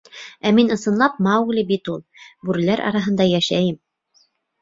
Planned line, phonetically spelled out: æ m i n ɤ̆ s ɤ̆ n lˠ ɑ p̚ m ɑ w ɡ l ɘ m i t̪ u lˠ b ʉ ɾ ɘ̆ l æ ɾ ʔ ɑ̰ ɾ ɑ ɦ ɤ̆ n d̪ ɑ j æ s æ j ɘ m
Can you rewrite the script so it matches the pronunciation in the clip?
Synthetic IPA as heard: æ m i n ɤ̆ s ɤ̆ n lˠ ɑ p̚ m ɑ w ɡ l ɘ b i t̪ u lˠ b ʉ ɾ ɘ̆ l æ ɾ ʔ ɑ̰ ɾ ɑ ɦ ɤ̆ n d̪ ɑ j æ ʃ æ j ɘ m